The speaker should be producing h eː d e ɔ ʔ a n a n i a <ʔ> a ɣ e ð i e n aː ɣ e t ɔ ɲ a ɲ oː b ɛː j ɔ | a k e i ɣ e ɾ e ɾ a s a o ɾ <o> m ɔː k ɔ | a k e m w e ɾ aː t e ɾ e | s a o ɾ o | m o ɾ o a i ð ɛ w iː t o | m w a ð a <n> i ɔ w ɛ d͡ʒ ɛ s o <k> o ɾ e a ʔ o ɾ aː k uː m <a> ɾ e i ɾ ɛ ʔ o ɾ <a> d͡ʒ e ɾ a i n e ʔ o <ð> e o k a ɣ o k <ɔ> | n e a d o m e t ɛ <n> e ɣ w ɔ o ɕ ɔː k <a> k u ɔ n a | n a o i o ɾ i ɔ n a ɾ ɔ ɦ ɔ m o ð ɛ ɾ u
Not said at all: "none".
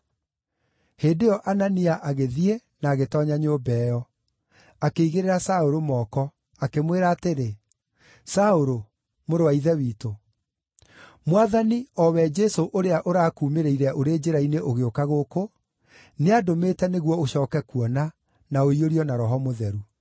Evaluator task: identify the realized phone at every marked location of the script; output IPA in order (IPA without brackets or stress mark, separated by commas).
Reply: ʔ, o, n, ʔ, e, e, ɣ, o, n, ɛ